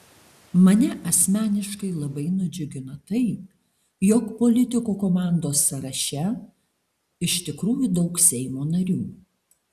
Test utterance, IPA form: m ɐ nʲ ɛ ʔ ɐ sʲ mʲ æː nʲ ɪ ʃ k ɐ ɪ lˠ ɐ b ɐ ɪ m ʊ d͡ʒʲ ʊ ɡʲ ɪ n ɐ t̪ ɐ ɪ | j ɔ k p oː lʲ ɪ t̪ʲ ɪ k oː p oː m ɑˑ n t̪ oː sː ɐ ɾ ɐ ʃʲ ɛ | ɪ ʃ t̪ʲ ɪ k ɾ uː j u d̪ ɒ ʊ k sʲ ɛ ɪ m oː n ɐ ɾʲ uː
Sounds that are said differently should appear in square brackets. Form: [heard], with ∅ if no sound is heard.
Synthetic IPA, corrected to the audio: m ɐ nʲ ɛ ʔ ɐ sʲ mʲ æː nʲ ɪ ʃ k ɐ ɪ lˠ ɐ b ɐ ɪ [n] ʊ d͡ʒʲ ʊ ɡʲ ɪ n ɐ t̪ ɐ ɪ | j ɔ k p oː lʲ ɪ t̪ʲ ɪ k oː [k] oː m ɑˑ n [d̪] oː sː ɐ ɾ ɐ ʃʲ ɛ | ɪ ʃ t̪ʲ ɪ k ɾ uː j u d̪ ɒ ʊ k sʲ ɛ ɪ m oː n ɐ ɾʲ uː